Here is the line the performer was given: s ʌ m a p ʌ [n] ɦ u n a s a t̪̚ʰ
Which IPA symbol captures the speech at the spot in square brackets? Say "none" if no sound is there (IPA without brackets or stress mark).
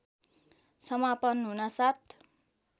n